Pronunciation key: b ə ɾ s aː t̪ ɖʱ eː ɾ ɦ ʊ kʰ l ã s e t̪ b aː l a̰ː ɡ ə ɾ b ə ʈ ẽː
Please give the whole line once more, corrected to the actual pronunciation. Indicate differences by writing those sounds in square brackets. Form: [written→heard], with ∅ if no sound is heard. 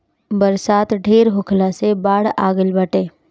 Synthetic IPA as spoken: b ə ɾ s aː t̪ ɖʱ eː ɾ ɦ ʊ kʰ l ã s e [t̪→∅] b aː [l→ɽ] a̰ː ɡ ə [ɾ→l] b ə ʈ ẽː